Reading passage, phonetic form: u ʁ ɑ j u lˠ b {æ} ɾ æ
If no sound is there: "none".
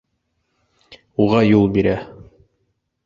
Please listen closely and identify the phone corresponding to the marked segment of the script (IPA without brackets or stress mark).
i